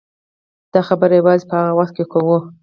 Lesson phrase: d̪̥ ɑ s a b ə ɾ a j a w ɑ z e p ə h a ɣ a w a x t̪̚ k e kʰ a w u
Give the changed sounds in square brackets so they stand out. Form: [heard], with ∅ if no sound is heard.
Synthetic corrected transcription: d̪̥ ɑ [x] a b ə ɾ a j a w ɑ z e p ə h a ɣ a w a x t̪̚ k e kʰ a w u